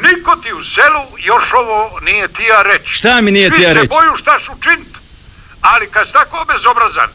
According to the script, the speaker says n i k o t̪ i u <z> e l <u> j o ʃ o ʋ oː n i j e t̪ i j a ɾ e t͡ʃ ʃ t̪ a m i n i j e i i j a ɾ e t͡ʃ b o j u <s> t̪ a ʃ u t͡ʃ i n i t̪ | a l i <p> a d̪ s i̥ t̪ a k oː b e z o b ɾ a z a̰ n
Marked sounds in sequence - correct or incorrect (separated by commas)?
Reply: incorrect, correct, incorrect, incorrect